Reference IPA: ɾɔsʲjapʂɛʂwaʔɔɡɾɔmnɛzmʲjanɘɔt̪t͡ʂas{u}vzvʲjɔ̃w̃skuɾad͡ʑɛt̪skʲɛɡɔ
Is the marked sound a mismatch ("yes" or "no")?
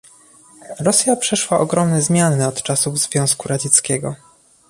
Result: no